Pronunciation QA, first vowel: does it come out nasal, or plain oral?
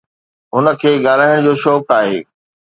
oral